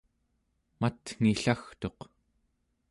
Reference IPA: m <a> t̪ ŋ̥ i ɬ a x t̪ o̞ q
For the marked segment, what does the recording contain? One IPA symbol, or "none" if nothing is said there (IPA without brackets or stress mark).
a